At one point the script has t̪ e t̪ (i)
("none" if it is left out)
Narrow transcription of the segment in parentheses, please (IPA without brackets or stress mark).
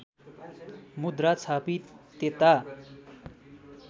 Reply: a